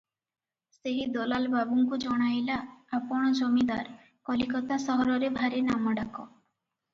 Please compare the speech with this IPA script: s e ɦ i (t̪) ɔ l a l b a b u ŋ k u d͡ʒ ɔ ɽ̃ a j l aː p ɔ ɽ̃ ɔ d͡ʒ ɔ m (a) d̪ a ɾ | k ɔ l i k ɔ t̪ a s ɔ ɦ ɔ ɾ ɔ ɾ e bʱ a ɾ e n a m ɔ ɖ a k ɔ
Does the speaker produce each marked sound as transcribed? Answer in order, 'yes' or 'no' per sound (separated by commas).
no, no